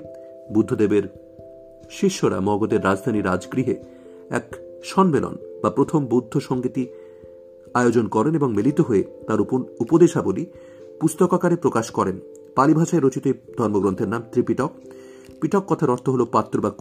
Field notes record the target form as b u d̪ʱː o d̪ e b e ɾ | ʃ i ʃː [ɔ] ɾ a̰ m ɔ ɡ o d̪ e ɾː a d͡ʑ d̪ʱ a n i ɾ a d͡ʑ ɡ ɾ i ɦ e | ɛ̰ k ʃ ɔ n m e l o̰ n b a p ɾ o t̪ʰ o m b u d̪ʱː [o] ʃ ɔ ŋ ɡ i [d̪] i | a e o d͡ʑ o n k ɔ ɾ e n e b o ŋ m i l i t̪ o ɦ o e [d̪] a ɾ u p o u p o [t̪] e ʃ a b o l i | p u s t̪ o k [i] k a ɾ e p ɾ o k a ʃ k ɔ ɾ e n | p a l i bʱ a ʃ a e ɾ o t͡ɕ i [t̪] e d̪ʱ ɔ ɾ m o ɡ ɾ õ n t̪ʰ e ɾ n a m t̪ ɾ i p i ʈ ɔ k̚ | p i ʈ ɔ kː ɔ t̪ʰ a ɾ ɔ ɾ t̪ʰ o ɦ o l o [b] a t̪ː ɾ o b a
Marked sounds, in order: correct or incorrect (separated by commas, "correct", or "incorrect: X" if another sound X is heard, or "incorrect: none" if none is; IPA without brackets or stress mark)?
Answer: incorrect: o, correct, incorrect: t̪, incorrect: t̪, incorrect: d̪, incorrect: a, correct, incorrect: p